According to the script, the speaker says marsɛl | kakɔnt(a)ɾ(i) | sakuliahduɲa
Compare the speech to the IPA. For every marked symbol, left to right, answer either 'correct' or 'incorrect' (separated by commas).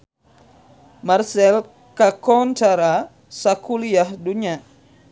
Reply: correct, incorrect